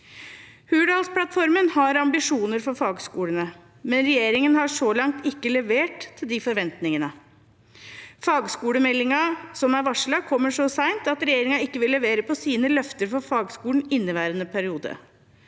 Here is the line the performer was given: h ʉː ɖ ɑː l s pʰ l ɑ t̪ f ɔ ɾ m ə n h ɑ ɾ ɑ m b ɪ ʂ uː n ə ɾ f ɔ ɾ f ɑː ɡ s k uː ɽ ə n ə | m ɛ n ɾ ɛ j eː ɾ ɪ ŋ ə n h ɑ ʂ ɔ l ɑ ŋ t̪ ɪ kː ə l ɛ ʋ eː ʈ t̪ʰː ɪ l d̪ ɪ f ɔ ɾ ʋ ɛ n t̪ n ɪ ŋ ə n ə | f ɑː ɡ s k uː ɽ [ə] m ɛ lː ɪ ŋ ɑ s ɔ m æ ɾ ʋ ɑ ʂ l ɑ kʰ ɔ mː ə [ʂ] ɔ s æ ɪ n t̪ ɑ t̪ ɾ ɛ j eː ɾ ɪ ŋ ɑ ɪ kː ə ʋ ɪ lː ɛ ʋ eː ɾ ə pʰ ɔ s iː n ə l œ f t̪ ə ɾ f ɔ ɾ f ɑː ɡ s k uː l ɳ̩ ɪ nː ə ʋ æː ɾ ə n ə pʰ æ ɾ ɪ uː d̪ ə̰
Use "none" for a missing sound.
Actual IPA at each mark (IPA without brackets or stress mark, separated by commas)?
ə, ʂ